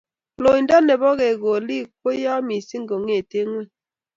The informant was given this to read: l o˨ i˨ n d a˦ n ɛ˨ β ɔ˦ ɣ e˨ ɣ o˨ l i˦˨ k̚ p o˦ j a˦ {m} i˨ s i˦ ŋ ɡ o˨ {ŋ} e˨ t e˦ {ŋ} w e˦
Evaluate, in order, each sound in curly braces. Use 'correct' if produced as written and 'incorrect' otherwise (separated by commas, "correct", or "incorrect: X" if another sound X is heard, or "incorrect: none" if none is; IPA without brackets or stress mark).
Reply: correct, correct, correct